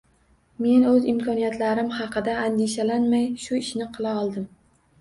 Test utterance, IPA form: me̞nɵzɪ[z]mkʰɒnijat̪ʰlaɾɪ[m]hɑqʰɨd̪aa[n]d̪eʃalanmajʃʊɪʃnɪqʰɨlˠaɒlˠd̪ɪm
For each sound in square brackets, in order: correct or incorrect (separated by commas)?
incorrect, correct, correct